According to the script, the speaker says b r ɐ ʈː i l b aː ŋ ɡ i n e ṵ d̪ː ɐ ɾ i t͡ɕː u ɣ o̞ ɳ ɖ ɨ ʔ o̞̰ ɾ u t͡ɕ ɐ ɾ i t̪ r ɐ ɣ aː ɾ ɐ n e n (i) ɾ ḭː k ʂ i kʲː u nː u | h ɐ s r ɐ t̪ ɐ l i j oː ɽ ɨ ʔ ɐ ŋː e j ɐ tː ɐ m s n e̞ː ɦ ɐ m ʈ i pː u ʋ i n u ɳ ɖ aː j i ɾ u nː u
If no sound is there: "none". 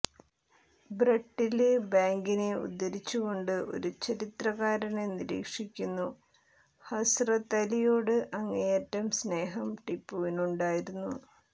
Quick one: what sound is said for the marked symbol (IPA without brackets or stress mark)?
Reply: i